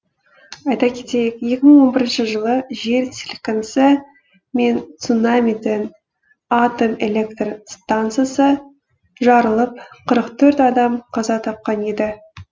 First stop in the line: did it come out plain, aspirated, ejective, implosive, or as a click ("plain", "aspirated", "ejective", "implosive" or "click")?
plain